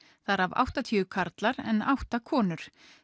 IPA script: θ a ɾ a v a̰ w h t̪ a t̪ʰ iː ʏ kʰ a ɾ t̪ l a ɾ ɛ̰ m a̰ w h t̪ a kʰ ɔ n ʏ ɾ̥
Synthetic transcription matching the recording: θ a ɾ a v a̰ w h t̪ a t̪ʰ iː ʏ kʰ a ɾ t̪ l a ɾ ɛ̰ n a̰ w h t̪ a kʰ ɔː n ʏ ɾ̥